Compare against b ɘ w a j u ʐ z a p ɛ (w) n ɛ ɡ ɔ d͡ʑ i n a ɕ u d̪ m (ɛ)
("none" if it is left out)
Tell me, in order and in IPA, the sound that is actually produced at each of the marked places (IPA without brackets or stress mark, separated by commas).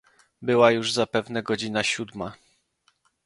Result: v, a